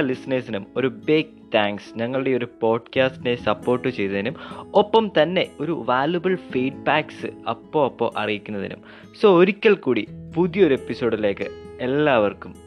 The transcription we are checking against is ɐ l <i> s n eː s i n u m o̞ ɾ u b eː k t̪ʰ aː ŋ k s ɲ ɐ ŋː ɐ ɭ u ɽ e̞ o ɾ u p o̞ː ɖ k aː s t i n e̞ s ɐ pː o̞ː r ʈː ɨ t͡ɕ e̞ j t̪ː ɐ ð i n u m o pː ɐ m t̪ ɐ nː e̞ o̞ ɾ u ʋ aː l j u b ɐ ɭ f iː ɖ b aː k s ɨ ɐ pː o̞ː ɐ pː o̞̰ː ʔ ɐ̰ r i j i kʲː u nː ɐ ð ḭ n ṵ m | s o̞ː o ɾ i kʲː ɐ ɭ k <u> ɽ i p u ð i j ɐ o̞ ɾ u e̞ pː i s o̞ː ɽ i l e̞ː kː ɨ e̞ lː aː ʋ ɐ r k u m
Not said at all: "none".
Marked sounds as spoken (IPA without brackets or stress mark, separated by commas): i, uː